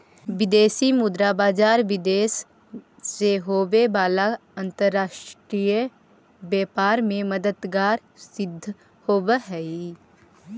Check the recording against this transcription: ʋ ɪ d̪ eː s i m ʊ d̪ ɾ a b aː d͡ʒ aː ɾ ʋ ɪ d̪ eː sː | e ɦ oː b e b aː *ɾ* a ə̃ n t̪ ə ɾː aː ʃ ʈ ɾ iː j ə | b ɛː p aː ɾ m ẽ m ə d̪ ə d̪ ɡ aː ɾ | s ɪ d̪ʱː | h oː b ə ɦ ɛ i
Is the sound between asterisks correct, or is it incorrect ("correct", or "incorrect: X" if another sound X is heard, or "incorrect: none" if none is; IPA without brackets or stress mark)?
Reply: incorrect: l